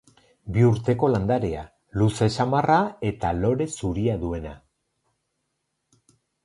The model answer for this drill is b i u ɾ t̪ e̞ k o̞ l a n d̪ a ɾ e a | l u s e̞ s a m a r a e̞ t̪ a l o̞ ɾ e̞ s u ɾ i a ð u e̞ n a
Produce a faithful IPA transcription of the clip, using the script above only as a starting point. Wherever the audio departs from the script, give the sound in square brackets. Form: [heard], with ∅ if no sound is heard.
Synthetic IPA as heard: b i u ɾ t̪ e̞ k o̞ l a n d̪ a ɾ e a | l u s e̞ s a m a r a e̞ t̪ a l o̞ ɾ e̞ s u ɾ i a ð u e̞ n a